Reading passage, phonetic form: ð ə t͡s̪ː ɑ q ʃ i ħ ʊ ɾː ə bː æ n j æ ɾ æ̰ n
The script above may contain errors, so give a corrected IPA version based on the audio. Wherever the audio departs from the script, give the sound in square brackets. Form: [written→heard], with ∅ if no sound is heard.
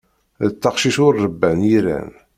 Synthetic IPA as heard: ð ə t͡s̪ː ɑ q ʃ i [ħ→ʃ] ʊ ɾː ə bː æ n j [æ→i] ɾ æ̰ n